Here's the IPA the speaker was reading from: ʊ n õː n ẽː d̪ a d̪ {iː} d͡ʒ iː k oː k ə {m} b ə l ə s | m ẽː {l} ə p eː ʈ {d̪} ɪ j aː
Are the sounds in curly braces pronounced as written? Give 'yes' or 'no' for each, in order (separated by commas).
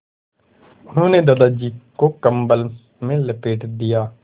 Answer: no, yes, yes, yes